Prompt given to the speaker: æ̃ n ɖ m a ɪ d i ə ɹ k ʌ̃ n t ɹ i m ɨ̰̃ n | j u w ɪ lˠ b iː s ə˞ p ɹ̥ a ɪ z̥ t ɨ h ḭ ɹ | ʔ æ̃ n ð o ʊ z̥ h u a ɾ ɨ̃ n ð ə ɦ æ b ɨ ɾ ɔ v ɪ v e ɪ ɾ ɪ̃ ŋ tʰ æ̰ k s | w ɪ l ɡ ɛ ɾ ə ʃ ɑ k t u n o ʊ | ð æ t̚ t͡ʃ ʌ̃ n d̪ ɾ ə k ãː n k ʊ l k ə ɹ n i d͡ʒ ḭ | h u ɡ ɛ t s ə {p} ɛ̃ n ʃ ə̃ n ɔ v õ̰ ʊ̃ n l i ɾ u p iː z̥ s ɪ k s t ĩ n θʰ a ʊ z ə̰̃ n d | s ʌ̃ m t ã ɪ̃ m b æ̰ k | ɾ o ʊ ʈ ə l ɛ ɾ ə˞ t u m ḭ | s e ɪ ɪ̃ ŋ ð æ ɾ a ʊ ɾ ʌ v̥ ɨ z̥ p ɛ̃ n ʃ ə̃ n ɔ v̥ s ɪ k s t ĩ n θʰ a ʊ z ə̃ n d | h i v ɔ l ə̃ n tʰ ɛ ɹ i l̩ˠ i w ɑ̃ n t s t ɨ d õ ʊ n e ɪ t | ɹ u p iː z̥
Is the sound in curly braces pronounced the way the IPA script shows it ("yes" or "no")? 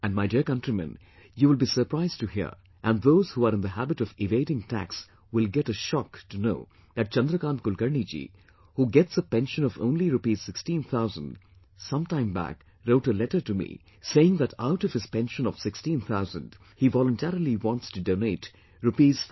yes